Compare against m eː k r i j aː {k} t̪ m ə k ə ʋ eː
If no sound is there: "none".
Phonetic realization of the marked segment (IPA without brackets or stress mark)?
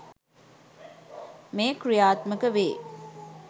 none